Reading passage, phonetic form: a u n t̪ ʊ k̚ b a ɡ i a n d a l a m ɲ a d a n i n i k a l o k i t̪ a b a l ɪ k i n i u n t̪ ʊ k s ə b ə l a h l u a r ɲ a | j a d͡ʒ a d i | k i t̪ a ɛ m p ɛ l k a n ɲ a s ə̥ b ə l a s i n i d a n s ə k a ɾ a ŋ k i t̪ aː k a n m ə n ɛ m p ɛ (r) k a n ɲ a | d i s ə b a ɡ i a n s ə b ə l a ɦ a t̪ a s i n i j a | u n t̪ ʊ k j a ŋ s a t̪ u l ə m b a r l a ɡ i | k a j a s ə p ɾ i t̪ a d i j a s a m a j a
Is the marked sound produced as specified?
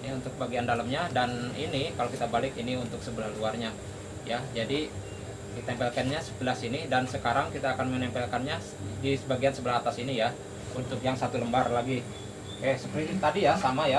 no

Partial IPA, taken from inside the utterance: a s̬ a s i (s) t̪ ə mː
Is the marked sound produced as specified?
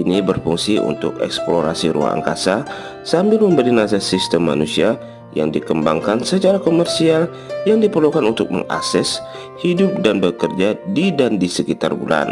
yes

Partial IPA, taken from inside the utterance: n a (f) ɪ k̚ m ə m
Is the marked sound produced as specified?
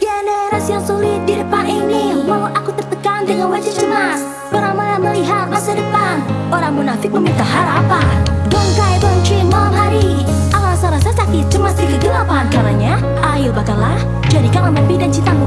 yes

